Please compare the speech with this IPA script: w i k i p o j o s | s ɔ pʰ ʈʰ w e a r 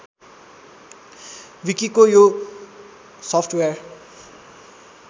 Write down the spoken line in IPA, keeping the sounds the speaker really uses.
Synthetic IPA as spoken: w i k i k o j o | s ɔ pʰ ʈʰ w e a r